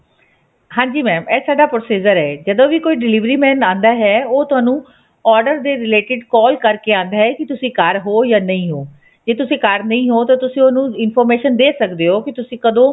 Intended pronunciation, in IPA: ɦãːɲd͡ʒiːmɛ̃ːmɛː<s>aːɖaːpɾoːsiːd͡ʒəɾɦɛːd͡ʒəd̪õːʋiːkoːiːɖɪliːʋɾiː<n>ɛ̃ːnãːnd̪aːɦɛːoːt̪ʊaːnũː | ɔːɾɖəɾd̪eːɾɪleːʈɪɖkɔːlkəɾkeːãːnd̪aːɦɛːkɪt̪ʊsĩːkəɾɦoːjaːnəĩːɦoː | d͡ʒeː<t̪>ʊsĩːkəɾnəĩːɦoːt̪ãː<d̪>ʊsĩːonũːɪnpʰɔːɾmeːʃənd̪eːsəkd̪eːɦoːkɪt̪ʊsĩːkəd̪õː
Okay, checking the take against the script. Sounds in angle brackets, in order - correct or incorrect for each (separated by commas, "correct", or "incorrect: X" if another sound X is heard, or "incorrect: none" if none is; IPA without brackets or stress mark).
correct, incorrect: m, correct, incorrect: t̪